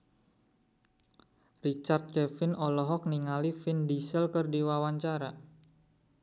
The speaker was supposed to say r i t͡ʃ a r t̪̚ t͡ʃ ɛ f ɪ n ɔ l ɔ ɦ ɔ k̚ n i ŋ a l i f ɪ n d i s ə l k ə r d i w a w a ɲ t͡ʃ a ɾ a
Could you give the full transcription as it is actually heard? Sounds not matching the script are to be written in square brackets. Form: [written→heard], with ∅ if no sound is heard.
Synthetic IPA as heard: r i t͡ʃ a r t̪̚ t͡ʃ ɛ f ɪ n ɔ l ɔ ɦ ɔ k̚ n i ŋ a l i f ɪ n d i s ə l k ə r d i w a w a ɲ t͡ʃ a ɾ a